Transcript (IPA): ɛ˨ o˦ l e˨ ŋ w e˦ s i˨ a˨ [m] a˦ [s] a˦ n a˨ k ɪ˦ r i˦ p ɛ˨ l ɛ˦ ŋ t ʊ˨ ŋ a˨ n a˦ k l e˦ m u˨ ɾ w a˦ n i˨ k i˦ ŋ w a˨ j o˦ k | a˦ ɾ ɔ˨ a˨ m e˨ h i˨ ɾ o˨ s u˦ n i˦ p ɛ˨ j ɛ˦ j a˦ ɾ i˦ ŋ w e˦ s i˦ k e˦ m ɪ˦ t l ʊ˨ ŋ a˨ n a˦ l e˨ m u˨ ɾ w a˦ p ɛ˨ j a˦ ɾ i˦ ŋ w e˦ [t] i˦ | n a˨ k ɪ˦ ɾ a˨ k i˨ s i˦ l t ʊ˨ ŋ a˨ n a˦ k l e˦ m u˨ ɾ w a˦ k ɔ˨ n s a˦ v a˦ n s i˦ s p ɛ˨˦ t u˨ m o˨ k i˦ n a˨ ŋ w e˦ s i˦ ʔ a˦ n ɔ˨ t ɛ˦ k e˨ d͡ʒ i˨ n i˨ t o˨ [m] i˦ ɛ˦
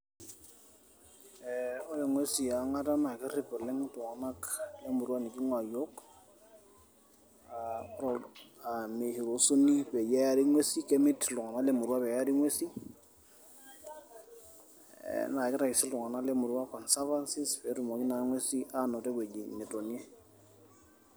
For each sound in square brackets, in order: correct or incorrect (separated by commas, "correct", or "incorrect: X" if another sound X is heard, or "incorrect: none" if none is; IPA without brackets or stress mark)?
incorrect: ŋ, incorrect: t, incorrect: s, incorrect: n